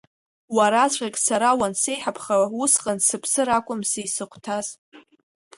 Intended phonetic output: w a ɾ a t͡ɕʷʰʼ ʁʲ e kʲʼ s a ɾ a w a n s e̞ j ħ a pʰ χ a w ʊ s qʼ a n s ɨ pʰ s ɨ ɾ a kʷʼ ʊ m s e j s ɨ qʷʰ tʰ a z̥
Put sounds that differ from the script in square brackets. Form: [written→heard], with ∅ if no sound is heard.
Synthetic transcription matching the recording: w a ɾ a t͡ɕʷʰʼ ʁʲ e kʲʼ s a ɾ a w a n s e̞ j ħ a pʰ χ a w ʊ s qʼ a n s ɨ pʰ s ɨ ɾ a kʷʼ ʊ m s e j s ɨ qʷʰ tʰ a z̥